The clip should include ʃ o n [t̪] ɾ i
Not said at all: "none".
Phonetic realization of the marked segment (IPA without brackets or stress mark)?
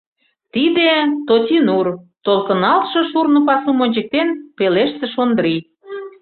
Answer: d̪